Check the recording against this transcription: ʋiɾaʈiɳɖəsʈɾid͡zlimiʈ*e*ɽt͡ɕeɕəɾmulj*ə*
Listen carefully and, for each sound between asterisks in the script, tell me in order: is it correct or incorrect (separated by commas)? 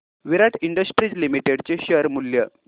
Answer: correct, correct